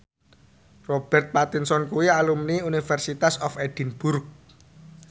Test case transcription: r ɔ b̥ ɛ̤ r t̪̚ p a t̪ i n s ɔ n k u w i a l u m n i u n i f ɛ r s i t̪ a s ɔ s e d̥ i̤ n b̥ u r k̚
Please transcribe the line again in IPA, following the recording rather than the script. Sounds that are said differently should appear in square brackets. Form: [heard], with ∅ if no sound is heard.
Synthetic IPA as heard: r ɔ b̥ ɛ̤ r t̪̚ p a t̪ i n s ɔ n k u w i a l u m n i u n i f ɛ r s i t̪ a s ɔ [f] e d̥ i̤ n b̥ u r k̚